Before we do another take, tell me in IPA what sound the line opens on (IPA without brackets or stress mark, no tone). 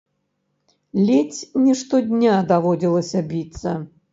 lʲ